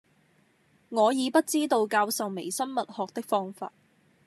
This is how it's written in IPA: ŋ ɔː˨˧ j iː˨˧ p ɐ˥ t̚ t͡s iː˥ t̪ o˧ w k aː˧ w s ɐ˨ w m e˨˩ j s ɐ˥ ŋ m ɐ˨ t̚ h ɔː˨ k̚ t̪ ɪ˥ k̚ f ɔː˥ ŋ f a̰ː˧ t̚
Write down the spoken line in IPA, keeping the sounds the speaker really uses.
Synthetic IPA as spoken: ŋ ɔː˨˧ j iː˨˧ p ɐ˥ t̚ t͡s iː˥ t̪ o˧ w k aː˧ w s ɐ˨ w m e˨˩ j s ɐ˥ n m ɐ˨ t̚ h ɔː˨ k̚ t̪ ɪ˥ k̚ f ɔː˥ ŋ f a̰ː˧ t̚